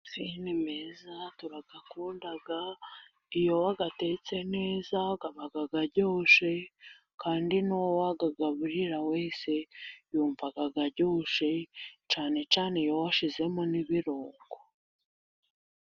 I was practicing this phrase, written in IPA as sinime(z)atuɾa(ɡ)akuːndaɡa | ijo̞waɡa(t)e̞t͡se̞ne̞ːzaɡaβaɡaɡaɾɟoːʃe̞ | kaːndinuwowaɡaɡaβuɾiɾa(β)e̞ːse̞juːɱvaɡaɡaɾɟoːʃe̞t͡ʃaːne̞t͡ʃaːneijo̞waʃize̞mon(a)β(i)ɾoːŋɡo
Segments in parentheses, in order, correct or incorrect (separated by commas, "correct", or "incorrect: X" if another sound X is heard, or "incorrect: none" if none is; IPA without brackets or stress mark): correct, correct, correct, incorrect: w, incorrect: i, correct